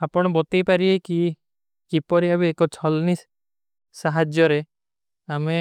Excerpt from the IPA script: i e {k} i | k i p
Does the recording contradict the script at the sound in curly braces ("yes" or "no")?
no